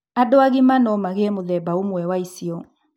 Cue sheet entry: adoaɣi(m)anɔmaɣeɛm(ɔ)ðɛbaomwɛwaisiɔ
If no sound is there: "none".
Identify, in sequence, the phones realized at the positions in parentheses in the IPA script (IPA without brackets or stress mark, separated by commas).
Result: m, o